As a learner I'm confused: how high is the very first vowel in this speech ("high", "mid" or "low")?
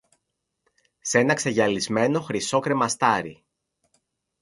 mid